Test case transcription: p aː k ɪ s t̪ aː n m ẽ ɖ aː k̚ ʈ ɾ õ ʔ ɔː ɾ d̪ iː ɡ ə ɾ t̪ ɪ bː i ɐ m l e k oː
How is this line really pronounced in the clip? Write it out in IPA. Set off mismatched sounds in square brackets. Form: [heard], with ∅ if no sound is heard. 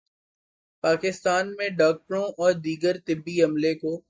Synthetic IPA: p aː k ɪ s t̪ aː n m ẽ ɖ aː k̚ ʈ ɾ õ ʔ ɔː ɾ d̪ iː ɡ ə ɾ t̪ ɪ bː i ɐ m l e k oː